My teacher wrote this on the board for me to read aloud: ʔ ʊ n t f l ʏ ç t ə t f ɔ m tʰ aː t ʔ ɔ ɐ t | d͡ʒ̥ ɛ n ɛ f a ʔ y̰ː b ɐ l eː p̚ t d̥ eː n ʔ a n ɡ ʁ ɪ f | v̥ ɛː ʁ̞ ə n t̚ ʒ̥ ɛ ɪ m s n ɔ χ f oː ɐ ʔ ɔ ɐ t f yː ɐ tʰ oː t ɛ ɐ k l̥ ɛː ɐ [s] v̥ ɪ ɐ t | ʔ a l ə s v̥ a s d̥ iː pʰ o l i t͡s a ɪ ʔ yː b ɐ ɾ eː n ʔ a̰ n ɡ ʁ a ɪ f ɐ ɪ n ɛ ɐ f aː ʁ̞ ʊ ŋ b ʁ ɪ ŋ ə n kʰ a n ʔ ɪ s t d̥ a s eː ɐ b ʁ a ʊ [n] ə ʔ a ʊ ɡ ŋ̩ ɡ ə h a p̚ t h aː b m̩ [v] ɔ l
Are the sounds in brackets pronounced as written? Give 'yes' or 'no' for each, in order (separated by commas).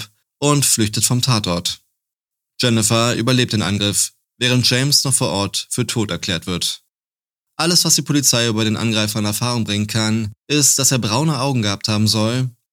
no, yes, no